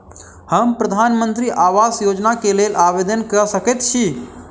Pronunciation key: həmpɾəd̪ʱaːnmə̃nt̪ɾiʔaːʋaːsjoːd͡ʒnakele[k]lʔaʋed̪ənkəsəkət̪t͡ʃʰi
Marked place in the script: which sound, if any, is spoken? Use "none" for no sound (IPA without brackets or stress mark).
none